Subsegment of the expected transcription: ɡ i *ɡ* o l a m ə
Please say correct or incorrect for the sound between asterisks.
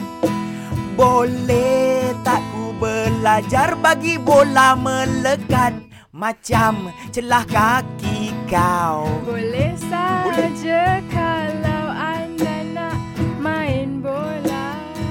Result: incorrect